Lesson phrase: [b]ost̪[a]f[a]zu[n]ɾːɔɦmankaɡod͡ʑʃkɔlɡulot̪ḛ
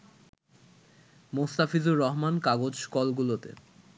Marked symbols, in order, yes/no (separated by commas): no, yes, no, no